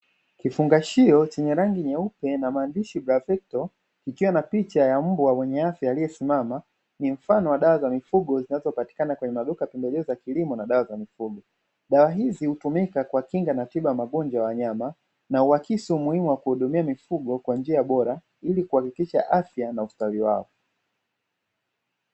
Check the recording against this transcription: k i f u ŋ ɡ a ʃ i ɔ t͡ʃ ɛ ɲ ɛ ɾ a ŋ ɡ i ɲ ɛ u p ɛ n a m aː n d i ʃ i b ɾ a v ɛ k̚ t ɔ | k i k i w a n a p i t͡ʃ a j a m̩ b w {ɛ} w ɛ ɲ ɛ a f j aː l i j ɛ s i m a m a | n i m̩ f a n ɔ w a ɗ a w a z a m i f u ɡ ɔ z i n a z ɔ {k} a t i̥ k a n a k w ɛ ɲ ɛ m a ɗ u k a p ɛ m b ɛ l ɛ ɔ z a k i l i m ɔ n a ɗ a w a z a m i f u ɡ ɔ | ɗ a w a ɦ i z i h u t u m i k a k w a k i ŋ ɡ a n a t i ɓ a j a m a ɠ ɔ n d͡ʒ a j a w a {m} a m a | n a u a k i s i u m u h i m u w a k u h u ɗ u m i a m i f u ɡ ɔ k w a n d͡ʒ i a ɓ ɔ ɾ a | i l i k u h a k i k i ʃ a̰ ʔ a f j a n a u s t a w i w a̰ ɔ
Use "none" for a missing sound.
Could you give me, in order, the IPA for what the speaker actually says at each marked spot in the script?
a, p, ɲ

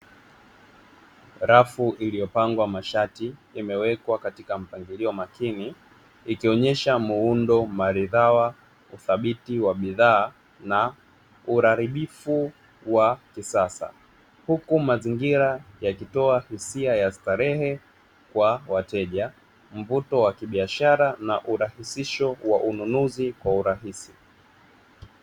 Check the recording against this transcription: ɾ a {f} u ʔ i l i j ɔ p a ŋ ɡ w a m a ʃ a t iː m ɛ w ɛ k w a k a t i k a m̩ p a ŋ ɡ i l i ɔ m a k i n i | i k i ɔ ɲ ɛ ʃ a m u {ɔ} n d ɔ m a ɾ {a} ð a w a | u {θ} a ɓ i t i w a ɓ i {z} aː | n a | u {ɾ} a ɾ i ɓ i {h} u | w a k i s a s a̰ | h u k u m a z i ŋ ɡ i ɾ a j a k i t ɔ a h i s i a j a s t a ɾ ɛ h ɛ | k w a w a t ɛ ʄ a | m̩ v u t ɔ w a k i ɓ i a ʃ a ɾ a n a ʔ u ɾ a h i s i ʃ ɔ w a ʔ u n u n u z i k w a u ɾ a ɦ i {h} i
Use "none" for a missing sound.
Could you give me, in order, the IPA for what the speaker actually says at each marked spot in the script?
f, u, i, θ, ð, ɾ, f, s

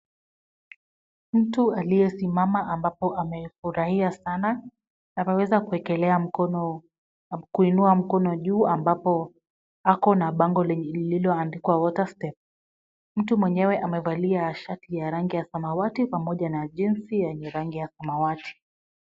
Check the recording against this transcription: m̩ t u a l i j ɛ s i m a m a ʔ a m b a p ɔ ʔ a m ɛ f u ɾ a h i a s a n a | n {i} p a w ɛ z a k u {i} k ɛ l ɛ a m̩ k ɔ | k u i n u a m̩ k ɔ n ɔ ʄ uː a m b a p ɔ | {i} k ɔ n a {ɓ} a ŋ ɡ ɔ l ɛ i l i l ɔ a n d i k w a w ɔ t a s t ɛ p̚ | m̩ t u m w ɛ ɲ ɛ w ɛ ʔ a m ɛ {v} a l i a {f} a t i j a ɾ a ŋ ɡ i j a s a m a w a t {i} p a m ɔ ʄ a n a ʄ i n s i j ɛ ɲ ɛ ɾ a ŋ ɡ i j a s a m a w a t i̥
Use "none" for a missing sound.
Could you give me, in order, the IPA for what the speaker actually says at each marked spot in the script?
a, ɛ, a, ɓ, v, ʃ, i

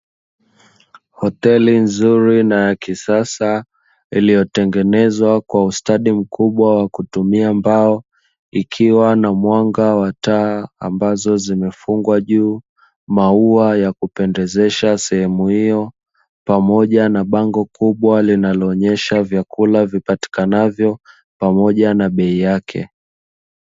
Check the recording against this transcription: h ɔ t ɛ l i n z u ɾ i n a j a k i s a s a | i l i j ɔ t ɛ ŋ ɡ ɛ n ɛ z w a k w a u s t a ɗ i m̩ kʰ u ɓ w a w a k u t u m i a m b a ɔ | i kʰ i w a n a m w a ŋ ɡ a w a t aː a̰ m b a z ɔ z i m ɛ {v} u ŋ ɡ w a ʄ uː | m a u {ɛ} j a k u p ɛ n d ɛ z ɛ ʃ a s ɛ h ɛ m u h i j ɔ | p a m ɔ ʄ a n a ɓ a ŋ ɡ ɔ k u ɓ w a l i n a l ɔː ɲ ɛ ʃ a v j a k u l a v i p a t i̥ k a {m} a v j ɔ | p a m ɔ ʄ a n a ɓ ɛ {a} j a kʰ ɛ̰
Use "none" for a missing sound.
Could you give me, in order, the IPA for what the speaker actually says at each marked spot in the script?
f, a, n, i

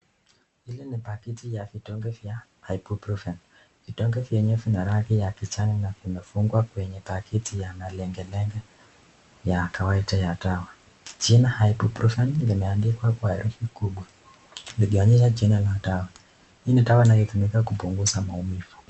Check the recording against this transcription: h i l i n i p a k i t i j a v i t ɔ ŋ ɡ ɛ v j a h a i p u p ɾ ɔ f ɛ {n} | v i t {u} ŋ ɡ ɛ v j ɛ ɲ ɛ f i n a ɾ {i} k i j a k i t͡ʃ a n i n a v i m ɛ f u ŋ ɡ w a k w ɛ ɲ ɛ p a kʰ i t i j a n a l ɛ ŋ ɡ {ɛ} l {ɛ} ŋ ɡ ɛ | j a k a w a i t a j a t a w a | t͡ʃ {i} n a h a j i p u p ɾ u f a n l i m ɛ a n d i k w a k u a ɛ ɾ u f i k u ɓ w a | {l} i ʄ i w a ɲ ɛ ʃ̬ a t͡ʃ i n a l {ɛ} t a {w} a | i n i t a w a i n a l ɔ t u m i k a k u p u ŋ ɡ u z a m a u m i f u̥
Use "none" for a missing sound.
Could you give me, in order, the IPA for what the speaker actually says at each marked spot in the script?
n, ɔ, a, ɛ, ɛ, i, l, a, w

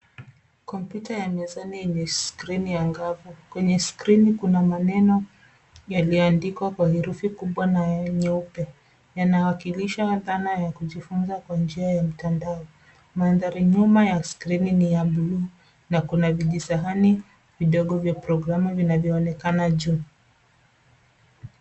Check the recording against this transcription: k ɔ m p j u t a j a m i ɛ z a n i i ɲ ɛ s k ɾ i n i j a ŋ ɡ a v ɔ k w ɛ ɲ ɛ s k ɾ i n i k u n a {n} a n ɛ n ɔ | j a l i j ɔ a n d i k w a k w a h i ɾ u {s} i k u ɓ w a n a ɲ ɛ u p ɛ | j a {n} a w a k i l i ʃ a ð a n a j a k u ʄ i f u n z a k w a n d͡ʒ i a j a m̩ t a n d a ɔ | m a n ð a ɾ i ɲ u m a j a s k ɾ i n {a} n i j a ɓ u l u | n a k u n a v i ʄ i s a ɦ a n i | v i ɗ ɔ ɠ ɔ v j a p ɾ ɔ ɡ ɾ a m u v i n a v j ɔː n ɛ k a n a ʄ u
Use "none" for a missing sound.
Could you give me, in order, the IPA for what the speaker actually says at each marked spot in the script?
m, f, n, i

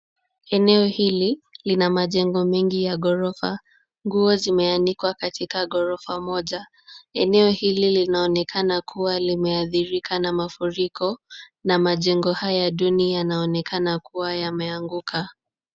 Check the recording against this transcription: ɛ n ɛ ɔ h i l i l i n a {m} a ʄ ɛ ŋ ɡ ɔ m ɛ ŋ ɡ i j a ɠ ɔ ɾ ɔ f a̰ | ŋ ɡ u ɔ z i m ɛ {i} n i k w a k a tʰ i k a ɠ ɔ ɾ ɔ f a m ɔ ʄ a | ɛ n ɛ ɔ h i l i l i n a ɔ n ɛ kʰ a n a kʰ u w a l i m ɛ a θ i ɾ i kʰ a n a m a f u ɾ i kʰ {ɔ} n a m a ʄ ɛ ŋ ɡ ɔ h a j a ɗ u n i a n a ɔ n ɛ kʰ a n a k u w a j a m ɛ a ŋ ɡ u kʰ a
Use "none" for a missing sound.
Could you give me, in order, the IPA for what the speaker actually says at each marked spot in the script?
m, a, ɔ

